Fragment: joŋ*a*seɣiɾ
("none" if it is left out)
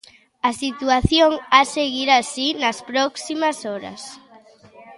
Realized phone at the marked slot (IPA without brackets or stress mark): a